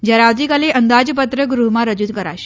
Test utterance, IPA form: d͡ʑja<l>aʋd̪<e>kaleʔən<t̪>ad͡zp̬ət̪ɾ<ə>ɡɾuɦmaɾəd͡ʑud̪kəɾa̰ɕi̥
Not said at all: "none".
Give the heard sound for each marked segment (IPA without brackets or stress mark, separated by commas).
ɾ, i, d̪, ə